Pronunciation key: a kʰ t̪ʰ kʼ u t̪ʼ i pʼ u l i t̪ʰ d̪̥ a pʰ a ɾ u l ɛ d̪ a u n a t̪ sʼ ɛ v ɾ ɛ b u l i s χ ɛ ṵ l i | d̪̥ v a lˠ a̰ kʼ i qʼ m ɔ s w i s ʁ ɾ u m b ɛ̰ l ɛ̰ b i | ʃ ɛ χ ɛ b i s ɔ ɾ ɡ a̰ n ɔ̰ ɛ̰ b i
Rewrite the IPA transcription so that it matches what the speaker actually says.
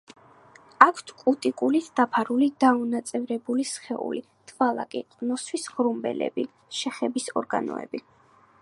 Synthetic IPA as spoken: a kʰ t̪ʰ kʼ u t̪ʼ i kʼ u l i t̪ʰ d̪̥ a pʰ a ɾ u l i d̪ a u n a t̪ sʼ ɛ v ɾ ɛ b u l i s χ ɛ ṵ l i | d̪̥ v a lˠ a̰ kʼ i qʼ n ɔ s w i s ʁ ɾ u m b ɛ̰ l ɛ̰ b i | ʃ ɛ χ ɛ b i s ɔ ɾ ɡ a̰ n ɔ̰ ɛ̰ b i

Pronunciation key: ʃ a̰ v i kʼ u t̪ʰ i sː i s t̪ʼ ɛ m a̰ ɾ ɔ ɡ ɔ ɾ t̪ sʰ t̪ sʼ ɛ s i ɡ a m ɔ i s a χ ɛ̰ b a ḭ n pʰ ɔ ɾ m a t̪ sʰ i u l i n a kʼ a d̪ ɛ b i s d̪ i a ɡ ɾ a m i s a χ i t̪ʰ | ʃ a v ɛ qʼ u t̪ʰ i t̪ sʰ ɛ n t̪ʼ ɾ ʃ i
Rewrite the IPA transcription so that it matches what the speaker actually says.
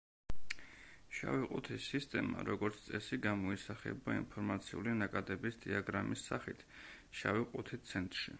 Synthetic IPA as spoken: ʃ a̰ v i qʼ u t̪ʰ i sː i s t̪ʼ ɛ m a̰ ɾ ɔ ɡ ɔ ɾ t̪ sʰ t̪ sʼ ɛ s i ɡ a m ɔ i s a χ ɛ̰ b a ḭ n pʰ ɔ ɾ m a t̪ sʰ i u l i n a kʼ a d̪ ɛ b i s d̪ i a ɡ ɾ a m i s a χ i t̪ʰ | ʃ a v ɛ qʼ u t̪ʰ i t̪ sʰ ɛ n t̪ʼ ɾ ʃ i

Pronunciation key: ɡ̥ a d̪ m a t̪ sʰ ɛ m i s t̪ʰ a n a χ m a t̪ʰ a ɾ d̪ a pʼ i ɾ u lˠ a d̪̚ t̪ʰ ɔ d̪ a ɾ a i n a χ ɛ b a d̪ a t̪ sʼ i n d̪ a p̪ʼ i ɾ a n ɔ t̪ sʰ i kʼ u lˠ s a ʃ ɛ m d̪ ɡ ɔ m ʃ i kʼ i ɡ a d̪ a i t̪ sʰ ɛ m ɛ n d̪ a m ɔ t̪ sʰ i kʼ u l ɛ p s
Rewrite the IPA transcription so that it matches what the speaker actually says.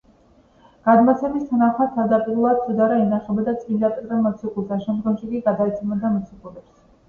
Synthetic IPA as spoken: ɡ̥ a d̪ m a t̪ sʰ ɛ m i s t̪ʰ a n a χ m a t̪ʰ a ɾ d̪ a pʼ i ɾ u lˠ a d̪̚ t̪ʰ ɔ d̪ a ɾ a i n a χ ɛ b a d̪ a t̪ sʼ i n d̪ a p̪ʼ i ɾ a m ɔ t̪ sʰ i kʼ u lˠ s a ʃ ɛ m d̪ ɡ ɔ m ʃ i kʼ i ɡ a d̪ a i t̪ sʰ ɛ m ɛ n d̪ a m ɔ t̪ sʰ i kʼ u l ɛ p s

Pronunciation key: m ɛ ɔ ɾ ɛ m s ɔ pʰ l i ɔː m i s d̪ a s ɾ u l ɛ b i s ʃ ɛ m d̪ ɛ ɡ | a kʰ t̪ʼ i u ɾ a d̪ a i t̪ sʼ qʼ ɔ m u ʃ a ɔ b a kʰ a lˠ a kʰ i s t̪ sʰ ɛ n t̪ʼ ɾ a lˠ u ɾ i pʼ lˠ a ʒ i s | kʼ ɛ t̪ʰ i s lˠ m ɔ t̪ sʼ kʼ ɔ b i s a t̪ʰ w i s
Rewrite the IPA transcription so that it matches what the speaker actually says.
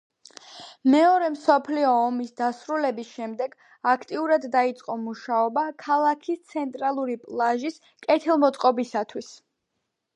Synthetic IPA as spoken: m ɛ ɔ ɾ ɛ m s ɔ pʰ l i ɔː m i s d̪ a s ɾ u l ɛ b i s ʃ ɛ m d̪ ɛ ɡ | a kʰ t̪ʼ i u ɾ a d̪ː a i t̪ sʼ qʼ ɔ m u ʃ a ɔ b a kʰ a lˠ a kʰ i s t̪ sʰ ɛ n t̪ʼ ɾ a lˠ u ɾ i pʼ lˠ a ʒ i s | kʼ ɛ t̪ʰ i lˠ m ɔ t̪ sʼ qʼ ɔ b i s a t̪ʰ w i s

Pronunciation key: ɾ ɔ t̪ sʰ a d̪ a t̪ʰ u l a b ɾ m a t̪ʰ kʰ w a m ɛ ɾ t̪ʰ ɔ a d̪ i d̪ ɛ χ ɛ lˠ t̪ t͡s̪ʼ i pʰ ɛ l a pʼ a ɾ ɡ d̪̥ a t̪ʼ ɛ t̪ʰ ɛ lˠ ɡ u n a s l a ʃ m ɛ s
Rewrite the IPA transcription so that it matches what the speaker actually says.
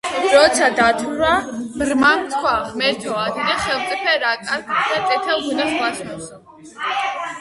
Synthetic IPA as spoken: ɾ ɔ t̪ sʰ a d̪ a t̪ʰ u ɾ a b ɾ m a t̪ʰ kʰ w a m ɛ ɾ t̪ʰ ɔ a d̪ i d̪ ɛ χ ɛ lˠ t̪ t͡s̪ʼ i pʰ ɛ ɾ a kʼ a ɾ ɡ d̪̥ a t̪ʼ ɛ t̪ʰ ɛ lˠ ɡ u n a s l a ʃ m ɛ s

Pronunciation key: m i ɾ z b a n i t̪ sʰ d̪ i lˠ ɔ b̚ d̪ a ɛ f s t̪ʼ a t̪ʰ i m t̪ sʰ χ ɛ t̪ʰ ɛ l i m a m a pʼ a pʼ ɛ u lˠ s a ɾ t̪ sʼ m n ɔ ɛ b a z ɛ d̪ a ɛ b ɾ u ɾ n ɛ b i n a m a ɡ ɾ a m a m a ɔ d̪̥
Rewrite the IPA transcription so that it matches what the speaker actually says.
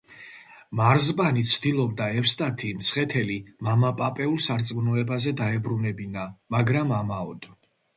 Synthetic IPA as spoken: m a ɾ z b a n i t̪ sʰ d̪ i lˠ ɔ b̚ d̪ a ɛ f s t̪ʼ a t̪ʰ i m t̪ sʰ χ ɛ t̪ʰ ɛ l i m a m a pʼ a pʼ ɛ u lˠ s a ɾ t̪ sʼ m n ɔ ɛ b a z ɛ d̪ a ɛ b ɾ u n ɛ b i n a m a ɡ ɾ a m a m a ɔ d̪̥

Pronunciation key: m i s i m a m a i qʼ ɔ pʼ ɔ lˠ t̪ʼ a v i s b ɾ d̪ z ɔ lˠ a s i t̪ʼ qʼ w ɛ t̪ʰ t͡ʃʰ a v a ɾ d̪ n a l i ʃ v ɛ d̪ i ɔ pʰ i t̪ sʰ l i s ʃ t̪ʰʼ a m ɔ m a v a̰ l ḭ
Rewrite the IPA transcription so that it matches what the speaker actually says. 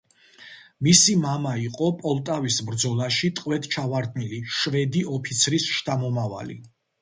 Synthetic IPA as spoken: m i s i m a m a i qʼ ɔ pʼ ɔ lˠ t̪ʼ a v i s b ɾ d̪ z ɔ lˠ a ʃ i t̪ʼ qʼ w ɛ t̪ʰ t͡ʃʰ a v a ɾ d̪ n i l i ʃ v ɛ d̪ i ɔ pʰ i t̪ sʰ ɾ i s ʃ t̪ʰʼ a m ɔ m a v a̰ l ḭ

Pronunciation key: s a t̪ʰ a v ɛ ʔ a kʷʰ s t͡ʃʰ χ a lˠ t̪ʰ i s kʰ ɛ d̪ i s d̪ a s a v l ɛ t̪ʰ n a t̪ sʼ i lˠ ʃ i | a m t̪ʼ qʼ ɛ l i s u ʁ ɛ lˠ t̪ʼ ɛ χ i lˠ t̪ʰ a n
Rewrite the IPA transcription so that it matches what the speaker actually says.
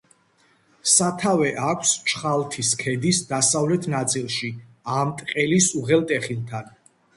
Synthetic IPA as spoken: s a t̪ʰ a v ɛ ʔ a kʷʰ s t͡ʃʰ χ a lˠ t̪ʰ i s kʰ ɛ d̪ i s d̪ a s a v l ɛ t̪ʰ n a t̪ sʼ i lˠ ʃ i | a m t̪ʼ qʼ ɛ l i s u ʁ ɛ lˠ t̪ʼ ɛ χ i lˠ t̪ʰ a n

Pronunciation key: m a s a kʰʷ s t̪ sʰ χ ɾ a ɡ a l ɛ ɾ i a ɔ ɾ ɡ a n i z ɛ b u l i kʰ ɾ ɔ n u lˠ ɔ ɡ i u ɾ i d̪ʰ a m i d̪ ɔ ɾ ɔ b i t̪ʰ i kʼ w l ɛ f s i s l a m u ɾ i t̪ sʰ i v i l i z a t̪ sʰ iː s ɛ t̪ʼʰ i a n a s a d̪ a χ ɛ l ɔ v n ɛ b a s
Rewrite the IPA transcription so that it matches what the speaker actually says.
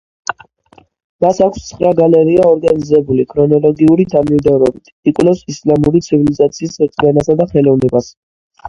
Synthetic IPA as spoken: m a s a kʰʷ s t̪ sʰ χ ɾ a ɡ a l ɛ ɾ i a ɔ ɾ ɡ a n i z ɛ b u l i kʰ ɾ ɔ n ɔ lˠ ɔ ɡ i u ɾ i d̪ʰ a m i d̪ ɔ ɾ ɔ b i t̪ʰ i kʼ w l ɛ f s i s l a m u ɾ i t̪ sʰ i v i l i z a t̪ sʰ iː s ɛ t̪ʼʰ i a n a s a d̪ a χ ɛ l ɔ v n ɛ b a s

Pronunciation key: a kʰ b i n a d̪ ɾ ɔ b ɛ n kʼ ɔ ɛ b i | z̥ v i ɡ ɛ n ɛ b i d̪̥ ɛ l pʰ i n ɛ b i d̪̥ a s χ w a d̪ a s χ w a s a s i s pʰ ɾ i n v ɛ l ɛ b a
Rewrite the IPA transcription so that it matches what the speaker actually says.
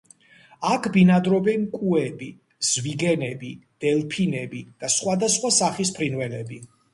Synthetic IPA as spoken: a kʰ b i n a d̪ ɾ ɔ b ɛ n kʼ u ɛ b i | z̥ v i ɡ ɛ n ɛ b i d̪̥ ɛ l pʰ i n ɛ b i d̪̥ a s χ w a d̪ a s χ w a s a χ i s pʰ ɾ i n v ɛ l ɛ b i

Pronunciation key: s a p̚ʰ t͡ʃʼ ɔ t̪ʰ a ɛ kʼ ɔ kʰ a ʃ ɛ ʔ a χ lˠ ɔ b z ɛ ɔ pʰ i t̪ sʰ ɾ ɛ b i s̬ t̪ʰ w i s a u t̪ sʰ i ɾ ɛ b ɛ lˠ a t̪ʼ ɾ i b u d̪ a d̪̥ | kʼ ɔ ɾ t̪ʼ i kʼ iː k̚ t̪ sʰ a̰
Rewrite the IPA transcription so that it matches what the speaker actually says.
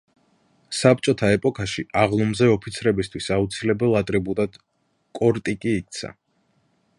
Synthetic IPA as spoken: s a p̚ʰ t͡ʃʼ ɔ t̪ʰ a ɛ pʼ ɔ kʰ a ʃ i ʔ a ʁ lˠ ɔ m z ɛ ɔ pʰ i t̪ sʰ ɾ ɛ b i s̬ t̪ʰ w i s a u t̪ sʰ i l ɛ b ɛ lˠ a t̪ʼ ɾ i b u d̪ a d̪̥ | kʼ ɔ ɾ t̪ʼ i kʼ iː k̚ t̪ sʰ a̰

